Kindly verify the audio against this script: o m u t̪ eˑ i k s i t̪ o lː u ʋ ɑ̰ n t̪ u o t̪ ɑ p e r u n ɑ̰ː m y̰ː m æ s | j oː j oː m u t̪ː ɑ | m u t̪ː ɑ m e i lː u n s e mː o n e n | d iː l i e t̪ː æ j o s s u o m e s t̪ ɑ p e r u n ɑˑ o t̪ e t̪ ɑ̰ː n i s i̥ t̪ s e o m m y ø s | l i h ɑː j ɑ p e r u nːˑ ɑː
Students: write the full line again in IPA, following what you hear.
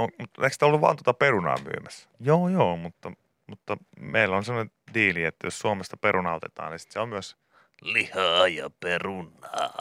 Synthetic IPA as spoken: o m u t̪ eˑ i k s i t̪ o lː u ʋ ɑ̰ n t̪ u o t̪ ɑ p e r u n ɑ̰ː m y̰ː m æ s | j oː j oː m u t̪ː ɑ | m u t̪ː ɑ m e i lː o n s e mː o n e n | d iː l i e t̪ː æ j o s s u o m e s t̪ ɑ p e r u n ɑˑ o t̪ e t̪ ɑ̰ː n i s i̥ t̪ s e o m m y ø s | l i h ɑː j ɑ p e r u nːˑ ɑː